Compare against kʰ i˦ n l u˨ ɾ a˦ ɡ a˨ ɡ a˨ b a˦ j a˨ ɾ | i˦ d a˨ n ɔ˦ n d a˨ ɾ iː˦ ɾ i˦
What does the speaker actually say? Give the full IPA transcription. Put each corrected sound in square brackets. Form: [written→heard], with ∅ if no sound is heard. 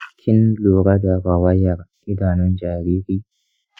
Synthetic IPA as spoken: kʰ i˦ n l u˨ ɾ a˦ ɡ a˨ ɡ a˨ [b→w] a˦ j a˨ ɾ | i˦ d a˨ n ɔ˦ n [d→d͡ʒ] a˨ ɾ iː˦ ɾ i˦